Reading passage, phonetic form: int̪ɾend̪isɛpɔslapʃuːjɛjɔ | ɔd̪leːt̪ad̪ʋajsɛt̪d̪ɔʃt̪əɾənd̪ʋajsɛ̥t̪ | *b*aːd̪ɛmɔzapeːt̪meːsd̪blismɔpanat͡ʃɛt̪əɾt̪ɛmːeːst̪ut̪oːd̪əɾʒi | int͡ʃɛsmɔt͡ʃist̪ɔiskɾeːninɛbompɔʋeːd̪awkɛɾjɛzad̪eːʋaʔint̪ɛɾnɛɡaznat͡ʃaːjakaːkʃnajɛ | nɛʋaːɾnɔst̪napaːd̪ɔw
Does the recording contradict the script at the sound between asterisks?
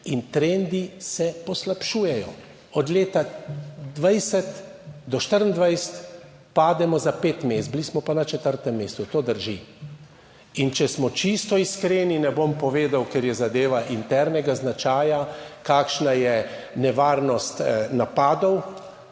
yes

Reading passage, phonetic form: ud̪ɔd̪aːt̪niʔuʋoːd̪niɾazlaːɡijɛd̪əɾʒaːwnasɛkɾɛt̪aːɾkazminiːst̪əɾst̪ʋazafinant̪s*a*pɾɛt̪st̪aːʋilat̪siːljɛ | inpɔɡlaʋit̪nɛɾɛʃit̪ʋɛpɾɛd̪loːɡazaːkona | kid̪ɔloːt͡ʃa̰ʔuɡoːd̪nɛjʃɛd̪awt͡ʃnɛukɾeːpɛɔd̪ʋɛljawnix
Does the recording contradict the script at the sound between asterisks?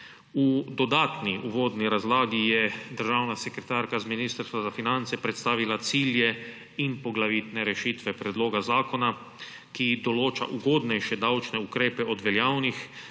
yes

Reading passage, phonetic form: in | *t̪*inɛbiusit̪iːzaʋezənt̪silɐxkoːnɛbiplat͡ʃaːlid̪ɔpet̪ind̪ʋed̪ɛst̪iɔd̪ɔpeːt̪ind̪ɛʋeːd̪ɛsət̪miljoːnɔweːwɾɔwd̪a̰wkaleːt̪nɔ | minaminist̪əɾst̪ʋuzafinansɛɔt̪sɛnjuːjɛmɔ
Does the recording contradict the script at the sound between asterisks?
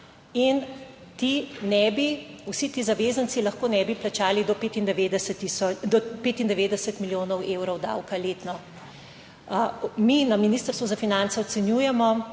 no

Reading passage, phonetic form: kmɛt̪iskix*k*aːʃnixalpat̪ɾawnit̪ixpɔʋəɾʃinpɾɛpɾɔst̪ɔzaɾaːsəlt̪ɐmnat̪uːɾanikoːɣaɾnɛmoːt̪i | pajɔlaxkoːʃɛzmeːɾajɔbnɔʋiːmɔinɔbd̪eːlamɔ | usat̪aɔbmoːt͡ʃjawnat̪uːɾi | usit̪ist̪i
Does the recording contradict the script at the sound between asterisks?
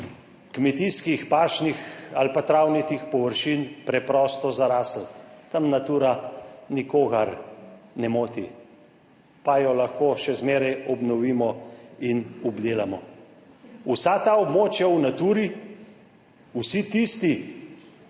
yes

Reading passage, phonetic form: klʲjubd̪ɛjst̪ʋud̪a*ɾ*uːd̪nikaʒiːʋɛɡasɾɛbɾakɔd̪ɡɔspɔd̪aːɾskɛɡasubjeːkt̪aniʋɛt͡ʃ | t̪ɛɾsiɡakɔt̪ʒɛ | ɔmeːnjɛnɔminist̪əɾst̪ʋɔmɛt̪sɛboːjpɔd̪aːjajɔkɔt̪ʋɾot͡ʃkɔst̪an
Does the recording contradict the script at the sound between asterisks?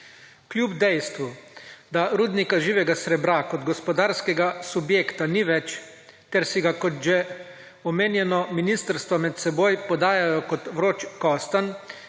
no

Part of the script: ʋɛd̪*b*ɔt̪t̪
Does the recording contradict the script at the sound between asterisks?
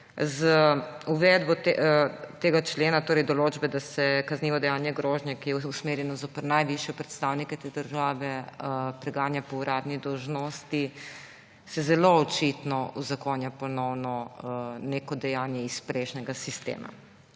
no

